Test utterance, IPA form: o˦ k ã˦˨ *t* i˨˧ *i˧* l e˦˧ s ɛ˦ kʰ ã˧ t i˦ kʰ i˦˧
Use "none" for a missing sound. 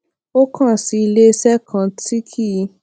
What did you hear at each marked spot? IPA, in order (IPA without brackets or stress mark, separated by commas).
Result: s, i˧